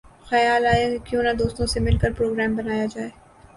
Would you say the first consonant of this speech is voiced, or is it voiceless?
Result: voiceless